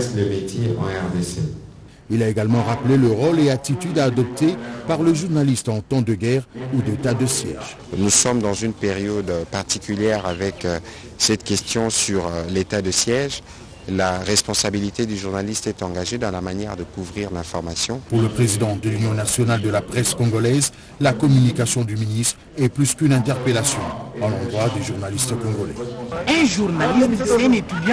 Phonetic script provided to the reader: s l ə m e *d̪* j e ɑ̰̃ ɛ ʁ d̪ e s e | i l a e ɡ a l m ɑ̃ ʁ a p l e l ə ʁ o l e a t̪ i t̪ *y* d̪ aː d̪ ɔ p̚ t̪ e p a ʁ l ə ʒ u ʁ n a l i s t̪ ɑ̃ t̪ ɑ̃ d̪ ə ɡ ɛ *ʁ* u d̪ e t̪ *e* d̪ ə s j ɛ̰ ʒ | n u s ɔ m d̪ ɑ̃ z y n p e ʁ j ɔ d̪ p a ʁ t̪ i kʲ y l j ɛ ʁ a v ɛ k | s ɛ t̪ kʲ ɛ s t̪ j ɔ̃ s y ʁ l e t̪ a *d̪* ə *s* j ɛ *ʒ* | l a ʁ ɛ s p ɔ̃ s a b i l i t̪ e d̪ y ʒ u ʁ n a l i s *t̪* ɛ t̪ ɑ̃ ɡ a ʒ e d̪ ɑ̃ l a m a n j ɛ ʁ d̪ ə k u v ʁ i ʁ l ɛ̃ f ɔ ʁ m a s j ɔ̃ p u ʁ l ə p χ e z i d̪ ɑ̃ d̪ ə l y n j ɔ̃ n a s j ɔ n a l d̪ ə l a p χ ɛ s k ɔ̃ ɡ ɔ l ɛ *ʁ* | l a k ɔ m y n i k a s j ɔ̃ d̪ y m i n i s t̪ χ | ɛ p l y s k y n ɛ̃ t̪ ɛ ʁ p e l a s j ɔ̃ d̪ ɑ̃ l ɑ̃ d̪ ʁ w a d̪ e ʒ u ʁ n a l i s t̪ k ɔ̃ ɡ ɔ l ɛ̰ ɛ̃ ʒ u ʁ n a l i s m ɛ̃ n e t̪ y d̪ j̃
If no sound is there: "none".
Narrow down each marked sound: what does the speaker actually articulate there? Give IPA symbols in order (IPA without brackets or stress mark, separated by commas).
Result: t̪, y, ʁ, a, d̪, s, ʒ, t̪, z